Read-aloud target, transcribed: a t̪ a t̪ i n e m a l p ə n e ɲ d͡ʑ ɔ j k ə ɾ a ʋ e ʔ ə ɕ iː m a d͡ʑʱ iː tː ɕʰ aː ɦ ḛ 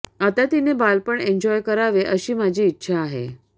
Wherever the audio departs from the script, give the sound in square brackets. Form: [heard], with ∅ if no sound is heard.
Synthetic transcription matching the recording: a t̪ a t̪ i n e [b] a l p ə [ɳ] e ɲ d͡ʑ ɔ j k ə ɾ a ʋ e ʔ ə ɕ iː m a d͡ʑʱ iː tː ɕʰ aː ɦ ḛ

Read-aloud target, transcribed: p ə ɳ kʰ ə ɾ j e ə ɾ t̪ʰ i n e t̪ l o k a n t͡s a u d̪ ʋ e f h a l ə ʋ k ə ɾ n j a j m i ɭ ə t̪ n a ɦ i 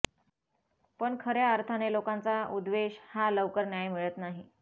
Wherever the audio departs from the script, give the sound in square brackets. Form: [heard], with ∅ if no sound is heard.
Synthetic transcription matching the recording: p ə ɳ kʰ ə ɾ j [a] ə ɾ t̪ʰ [a] n e [∅] l o k a n t͡s a u d̪ ʋ e [ɕ] h a l ə ʋ k ə ɾ n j a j m i ɭ ə t̪ n a ɦ i

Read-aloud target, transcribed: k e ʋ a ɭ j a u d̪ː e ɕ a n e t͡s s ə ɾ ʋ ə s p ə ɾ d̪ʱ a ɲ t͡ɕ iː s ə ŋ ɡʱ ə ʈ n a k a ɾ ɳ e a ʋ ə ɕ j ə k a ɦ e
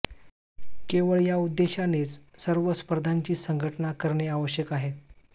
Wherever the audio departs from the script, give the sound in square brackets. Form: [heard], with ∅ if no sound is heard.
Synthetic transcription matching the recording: k e ʋ [ə] ɭ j a u d̪ː e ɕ a n e t͡s s ə ɾ ʋ ə s p ə ɾ d̪ʱ a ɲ t͡ɕ iː s ə ŋ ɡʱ ə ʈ n a k [ə] ɾ ɳ e a ʋ ə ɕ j ə k a ɦ e

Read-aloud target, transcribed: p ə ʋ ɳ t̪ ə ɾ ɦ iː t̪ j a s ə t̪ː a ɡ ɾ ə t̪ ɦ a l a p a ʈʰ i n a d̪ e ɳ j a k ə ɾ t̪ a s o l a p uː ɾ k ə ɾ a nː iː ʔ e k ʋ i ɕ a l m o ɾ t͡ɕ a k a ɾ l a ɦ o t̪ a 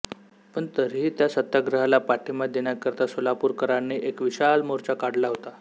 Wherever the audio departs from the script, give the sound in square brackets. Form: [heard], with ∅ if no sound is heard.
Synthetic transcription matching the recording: p ə [∅] ɳ t̪ ə ɾ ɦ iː t̪ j a s ə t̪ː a ɡ ɾ ə [∅] ɦ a l a p a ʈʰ i [m] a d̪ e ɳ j a k ə ɾ t̪ a s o l a p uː ɾ k ə ɾ a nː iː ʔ e k ʋ i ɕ a l m o ɾ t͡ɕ a k a [ɽ] l a ɦ o t̪ a

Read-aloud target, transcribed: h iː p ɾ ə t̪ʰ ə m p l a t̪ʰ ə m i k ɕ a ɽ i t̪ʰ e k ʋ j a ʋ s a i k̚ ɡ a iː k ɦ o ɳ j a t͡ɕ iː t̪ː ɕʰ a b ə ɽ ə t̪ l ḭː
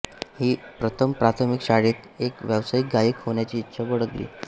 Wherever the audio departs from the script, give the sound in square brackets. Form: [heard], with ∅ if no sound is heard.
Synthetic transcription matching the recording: h iː p ɾ ə t̪ʰ ə m p [ɾ] a t̪ʰ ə m i k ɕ a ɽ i [t̪] e k ʋ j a ʋ s a i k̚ ɡ a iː k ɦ o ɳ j a t͡ɕ iː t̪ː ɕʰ a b ə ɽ ə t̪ l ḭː

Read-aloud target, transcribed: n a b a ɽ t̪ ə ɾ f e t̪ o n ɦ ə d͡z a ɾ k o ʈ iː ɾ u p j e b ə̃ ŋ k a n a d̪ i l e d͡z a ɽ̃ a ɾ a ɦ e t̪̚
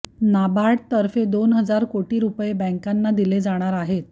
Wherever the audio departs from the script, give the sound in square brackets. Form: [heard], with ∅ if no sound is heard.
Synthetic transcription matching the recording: n a b a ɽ t̪ ə ɾ f e [d̪] o n ɦ ə d͡z a ɾ k o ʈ iː ɾ u p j e b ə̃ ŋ k a [nː] a d̪ i l e d͡z a ɽ̃ a ɾ a ɦ e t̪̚

